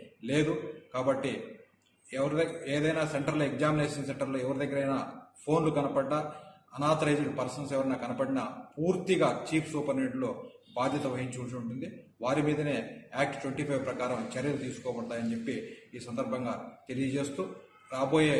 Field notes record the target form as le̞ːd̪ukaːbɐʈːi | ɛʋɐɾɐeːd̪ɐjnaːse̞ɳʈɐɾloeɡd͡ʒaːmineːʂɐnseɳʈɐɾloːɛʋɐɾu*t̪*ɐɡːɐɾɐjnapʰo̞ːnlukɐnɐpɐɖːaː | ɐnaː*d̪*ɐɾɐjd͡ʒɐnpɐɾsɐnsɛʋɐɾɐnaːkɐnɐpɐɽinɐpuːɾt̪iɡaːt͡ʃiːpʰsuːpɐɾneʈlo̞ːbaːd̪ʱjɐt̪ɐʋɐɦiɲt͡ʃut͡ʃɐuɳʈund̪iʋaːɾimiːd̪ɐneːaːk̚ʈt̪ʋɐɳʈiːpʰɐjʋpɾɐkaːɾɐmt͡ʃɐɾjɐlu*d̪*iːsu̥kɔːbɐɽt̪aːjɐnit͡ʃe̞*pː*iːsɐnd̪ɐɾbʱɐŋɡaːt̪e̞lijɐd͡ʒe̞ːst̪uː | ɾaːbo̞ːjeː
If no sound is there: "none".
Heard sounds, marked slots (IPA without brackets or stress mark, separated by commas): d̪, t̪, t̪, pː